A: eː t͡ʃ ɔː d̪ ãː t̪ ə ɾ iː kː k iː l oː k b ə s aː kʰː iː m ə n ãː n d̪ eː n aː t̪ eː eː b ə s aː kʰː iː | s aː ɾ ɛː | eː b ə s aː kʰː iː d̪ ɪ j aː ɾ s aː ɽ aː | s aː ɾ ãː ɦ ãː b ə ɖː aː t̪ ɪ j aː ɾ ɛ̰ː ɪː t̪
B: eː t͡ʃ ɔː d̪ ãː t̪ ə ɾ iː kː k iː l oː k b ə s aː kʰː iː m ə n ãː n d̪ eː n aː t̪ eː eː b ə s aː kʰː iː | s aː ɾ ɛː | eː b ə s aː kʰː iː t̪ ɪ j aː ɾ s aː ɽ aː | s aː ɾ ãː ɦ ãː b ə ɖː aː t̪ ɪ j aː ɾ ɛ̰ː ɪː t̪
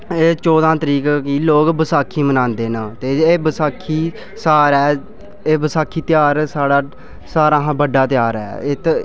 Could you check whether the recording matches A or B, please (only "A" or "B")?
B